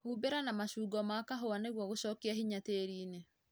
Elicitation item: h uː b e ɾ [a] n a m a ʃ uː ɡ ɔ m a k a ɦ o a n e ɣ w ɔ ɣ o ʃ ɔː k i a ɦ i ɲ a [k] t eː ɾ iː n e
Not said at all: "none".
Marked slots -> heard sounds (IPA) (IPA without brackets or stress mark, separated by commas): a, none